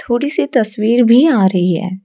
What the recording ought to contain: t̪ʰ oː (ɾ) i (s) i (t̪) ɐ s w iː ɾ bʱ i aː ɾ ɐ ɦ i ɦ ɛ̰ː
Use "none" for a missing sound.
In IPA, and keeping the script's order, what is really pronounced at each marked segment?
ɽ, s, t̪

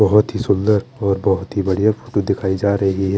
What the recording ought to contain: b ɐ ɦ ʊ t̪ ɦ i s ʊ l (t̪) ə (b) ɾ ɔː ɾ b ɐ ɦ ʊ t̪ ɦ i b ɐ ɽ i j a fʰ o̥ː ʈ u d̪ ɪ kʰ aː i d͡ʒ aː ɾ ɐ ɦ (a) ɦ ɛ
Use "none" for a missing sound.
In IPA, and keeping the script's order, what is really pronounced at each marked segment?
d̪, none, i

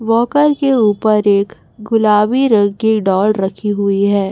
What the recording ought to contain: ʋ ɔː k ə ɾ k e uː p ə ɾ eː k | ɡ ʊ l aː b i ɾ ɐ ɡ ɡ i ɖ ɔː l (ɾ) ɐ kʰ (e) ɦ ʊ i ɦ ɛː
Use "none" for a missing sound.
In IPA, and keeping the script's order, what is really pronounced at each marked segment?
ɾ, i

